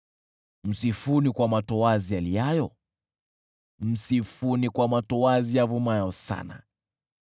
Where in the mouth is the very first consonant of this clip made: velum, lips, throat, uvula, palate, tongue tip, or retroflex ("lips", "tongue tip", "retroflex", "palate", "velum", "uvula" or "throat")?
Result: lips